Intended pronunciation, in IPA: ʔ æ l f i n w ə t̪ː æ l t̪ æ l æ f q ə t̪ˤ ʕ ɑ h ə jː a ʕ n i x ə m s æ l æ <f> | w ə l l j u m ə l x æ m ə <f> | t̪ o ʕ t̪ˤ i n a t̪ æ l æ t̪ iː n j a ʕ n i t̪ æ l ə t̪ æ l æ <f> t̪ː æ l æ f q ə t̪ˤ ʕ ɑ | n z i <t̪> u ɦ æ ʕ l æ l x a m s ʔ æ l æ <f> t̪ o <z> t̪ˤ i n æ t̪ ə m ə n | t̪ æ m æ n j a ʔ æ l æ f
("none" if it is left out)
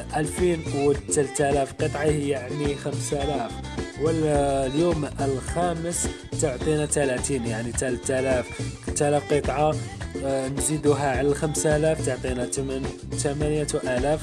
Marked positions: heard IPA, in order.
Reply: f, s, f, d̪, f, ʕ

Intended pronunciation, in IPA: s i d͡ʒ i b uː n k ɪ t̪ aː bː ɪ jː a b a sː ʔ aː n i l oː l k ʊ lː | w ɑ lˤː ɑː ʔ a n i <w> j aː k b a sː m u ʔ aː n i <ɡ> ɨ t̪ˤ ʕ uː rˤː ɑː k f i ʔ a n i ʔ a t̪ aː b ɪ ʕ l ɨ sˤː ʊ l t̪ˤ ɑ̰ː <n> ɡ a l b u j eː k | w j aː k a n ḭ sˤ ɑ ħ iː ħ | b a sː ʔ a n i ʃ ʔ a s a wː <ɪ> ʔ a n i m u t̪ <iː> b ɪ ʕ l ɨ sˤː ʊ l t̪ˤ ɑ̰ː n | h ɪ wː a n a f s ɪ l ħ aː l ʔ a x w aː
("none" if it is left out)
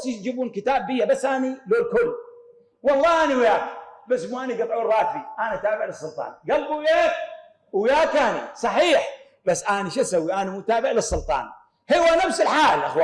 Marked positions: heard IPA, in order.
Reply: w, ɡ, n, i, aː

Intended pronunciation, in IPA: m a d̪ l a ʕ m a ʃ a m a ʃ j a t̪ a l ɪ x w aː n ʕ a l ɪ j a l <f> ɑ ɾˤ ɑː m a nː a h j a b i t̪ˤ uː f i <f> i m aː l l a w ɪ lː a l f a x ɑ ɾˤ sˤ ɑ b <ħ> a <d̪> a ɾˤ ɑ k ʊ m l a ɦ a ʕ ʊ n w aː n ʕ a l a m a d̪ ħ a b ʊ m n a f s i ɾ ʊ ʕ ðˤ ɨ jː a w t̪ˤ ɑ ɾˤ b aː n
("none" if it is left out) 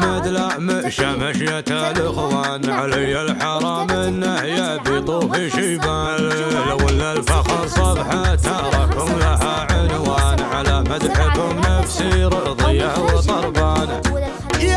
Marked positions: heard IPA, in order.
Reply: ħ, ʃ, ħ, t̪

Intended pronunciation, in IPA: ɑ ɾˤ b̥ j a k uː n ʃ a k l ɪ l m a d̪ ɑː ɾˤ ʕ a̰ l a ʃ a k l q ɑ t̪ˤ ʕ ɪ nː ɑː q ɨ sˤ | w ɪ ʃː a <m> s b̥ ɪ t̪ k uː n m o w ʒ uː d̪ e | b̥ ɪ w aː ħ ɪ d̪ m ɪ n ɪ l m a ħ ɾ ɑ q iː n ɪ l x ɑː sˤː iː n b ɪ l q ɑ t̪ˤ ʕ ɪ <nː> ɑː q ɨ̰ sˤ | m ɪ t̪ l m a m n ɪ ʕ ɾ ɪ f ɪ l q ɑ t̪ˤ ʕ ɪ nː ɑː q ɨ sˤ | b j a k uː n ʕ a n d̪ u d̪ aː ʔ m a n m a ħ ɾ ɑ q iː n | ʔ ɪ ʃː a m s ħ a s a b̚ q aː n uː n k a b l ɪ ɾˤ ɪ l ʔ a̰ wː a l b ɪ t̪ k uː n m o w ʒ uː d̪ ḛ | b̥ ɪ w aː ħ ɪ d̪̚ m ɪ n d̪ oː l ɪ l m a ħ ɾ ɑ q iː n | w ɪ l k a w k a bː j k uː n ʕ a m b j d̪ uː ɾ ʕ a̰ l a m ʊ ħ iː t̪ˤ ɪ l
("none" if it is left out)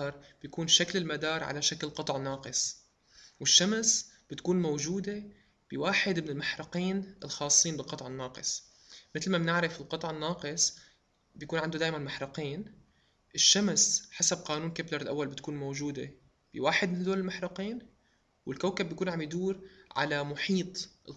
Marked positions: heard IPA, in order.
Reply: m, nː

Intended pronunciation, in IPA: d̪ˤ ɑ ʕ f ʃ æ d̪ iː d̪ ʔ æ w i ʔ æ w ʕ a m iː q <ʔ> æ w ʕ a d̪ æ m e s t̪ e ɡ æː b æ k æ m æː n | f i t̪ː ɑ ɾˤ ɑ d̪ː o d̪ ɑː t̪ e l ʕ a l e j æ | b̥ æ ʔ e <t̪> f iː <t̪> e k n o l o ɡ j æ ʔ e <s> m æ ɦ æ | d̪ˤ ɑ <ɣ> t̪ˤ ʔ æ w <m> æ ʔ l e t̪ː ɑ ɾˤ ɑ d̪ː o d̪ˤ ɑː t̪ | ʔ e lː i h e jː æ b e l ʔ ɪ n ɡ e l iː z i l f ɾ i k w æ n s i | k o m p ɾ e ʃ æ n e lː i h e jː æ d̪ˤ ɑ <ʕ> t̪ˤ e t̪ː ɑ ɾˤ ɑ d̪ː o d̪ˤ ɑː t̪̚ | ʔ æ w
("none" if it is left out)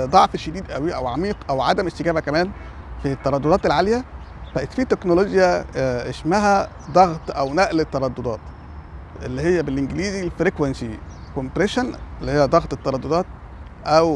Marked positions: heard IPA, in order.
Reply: ʔ, t̪, t̪, ʃ, ɣ, n, ɣ

